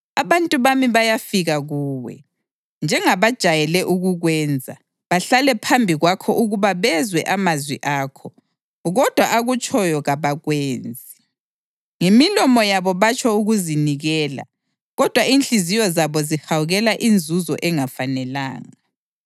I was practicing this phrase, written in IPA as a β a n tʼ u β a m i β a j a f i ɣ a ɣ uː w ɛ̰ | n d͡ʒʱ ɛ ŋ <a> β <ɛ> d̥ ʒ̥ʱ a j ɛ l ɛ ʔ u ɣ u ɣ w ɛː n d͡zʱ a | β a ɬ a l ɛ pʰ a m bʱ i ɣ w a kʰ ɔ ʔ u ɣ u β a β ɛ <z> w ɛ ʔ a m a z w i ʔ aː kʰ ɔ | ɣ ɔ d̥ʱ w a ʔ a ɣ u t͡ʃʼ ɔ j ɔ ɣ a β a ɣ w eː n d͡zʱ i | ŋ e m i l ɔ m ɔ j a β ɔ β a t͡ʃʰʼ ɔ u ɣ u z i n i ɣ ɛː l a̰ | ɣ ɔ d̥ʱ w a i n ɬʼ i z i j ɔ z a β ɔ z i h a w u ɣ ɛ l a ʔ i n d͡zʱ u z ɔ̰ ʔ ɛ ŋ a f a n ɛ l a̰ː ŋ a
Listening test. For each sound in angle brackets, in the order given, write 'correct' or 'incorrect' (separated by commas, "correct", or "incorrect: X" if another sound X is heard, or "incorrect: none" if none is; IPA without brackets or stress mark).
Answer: correct, incorrect: a, correct